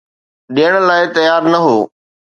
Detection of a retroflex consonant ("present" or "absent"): present